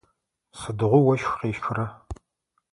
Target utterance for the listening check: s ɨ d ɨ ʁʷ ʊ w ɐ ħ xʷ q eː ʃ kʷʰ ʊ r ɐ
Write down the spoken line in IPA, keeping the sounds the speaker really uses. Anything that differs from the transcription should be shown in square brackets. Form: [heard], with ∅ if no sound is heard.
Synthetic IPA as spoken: s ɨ d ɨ ʁʷ ʊ w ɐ [ʃ] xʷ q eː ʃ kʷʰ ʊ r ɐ